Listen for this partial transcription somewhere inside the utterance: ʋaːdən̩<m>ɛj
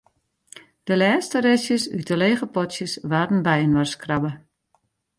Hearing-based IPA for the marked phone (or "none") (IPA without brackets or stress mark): b